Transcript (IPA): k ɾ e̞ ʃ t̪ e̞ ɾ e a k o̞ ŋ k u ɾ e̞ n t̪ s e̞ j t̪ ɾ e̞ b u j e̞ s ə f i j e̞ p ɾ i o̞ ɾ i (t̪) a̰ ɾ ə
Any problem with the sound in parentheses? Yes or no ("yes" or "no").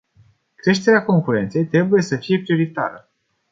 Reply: no